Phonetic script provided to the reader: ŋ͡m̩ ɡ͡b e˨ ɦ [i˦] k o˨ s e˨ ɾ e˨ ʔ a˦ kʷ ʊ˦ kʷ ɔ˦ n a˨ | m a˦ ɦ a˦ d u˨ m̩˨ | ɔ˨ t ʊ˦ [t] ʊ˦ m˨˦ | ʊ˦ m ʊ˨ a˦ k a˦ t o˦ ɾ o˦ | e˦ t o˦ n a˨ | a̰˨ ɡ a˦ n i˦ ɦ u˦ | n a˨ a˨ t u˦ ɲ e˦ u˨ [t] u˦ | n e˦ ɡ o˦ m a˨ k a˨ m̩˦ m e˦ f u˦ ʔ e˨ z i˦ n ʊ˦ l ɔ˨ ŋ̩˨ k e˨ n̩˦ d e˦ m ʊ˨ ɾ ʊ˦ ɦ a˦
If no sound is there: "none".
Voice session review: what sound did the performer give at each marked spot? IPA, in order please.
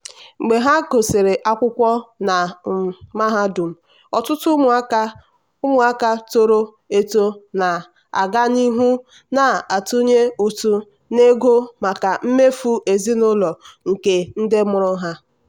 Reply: a˦, t, t

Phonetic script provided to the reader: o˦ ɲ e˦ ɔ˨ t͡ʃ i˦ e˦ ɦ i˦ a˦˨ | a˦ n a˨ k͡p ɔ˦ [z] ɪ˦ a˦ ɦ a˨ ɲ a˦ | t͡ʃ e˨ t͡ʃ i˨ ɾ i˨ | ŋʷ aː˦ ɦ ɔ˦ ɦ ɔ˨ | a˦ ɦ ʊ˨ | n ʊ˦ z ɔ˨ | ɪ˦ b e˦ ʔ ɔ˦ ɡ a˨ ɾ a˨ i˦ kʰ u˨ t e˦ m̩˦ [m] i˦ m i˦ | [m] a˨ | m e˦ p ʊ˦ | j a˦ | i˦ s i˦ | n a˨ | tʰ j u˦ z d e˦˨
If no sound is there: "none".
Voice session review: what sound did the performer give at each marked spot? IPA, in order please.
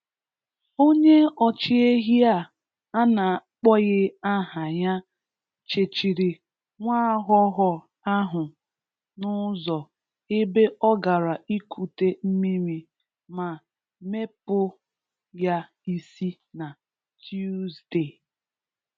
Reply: ɣ, m, m

